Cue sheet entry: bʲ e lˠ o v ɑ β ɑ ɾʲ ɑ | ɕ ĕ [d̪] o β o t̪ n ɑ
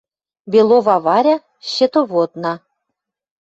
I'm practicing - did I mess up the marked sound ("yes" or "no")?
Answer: yes